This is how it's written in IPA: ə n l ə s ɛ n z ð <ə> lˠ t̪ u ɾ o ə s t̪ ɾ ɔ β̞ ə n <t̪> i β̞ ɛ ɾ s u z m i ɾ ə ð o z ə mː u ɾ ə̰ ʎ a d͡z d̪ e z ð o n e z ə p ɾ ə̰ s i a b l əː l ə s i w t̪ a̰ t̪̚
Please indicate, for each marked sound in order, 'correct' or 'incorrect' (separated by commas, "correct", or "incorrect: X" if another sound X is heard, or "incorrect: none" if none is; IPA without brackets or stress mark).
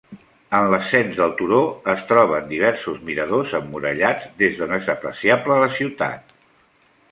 correct, incorrect: d̪